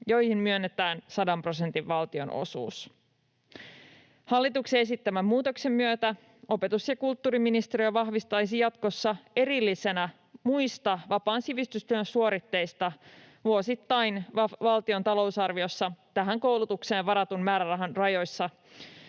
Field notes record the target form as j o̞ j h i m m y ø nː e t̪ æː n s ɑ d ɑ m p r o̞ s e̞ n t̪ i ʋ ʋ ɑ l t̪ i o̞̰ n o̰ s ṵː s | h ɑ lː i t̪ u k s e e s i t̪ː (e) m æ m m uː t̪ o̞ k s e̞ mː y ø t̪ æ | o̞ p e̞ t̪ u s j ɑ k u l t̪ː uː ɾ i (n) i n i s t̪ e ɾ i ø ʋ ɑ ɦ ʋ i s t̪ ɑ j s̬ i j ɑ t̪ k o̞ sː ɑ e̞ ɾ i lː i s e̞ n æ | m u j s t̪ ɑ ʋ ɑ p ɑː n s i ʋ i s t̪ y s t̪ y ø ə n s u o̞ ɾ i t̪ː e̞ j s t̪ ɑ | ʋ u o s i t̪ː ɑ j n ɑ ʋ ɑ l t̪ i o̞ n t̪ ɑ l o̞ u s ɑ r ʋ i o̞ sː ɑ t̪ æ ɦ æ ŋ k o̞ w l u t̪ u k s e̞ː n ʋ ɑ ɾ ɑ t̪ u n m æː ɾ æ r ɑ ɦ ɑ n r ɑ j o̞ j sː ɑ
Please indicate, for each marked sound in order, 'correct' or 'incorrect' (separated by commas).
incorrect, incorrect